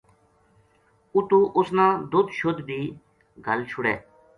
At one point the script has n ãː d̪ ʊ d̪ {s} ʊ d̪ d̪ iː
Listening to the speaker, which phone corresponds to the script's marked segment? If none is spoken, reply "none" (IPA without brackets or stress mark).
ʃ